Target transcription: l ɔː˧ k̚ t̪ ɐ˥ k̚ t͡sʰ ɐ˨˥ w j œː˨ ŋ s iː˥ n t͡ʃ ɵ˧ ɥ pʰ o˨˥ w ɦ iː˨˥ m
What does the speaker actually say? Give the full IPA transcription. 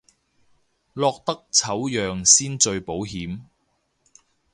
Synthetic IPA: l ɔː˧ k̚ t̪ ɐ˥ k̚ t͡sʰ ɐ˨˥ w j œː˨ ŋ s iː˥ n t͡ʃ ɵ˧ ɥ p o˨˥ w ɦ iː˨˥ m

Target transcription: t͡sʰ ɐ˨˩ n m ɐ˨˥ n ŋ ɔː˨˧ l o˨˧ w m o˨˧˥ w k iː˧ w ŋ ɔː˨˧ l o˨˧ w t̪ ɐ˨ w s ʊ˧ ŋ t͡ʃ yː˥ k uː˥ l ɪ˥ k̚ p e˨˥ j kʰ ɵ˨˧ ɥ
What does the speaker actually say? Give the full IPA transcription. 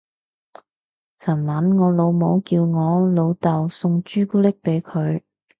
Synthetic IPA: t͡sʰ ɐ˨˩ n m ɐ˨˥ n ŋ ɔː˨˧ l o˨˧ w m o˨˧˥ w k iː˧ w ŋ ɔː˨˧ l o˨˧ w t̪ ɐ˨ w s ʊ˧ ŋ t͡ʃ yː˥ k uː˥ l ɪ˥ k̚ p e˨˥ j kʰ ɵ˨˧ ɥ

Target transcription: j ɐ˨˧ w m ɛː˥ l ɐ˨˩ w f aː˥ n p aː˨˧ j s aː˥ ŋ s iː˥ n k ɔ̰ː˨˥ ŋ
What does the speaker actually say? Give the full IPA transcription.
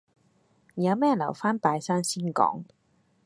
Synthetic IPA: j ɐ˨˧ w m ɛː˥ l ɐ˨˩ w f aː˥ n p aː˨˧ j s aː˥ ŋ s iː˥ n k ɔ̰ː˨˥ ŋ

